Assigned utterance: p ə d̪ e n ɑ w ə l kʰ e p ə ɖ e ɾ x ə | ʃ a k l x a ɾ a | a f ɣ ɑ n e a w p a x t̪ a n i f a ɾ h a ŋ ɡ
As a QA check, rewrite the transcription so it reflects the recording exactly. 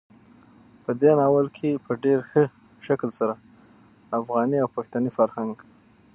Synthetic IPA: p ə d̪ e n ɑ w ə l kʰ e p ə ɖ e ɾ x ə | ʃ a k l s a ɾ a | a f ɣ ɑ n i a w p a x t̪ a n i f a ɾ h a ŋ ɡ